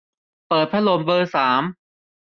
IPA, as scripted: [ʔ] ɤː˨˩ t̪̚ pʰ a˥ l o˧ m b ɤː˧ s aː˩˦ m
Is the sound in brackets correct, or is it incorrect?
incorrect